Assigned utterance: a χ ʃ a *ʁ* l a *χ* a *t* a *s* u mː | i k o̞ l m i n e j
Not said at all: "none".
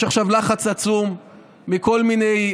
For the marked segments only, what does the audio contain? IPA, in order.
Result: v, χ, t͡s, t͡s

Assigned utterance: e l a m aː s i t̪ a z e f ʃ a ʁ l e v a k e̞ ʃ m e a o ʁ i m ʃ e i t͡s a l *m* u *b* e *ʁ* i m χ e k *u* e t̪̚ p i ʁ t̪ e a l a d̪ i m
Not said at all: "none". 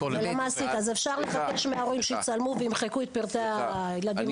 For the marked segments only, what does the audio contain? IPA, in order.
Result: m, v, none, u

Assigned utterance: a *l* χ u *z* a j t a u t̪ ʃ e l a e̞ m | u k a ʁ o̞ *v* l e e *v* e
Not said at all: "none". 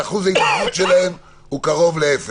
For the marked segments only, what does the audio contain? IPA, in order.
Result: none, z, v, f

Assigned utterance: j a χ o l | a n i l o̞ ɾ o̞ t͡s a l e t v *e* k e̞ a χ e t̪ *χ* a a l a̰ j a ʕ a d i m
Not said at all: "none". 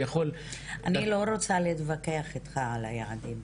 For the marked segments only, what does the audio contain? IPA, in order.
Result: a, χ

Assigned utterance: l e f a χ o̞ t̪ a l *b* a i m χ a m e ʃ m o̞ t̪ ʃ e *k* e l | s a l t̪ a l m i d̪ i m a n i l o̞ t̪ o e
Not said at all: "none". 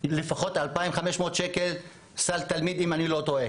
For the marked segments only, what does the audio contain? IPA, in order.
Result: p, k

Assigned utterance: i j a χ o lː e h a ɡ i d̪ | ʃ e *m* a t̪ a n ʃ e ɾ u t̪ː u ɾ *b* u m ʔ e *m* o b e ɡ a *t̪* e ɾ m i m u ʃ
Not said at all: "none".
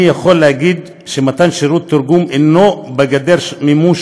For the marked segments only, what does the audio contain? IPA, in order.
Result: m, ɡ, n, d̪

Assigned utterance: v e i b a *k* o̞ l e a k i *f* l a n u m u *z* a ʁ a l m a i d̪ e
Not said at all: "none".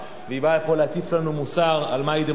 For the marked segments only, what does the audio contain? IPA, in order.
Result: p, f, s

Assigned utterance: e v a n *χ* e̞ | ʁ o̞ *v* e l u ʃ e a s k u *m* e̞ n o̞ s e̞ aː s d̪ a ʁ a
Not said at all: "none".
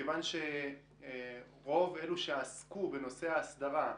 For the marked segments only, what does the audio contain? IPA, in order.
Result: ʃ, v, b

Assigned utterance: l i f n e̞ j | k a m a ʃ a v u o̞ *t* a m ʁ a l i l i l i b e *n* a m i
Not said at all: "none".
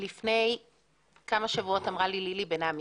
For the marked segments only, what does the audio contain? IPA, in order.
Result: t, n

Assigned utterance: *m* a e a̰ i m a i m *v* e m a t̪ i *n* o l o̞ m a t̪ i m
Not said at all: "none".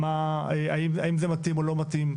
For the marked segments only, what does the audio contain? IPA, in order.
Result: m, z, m

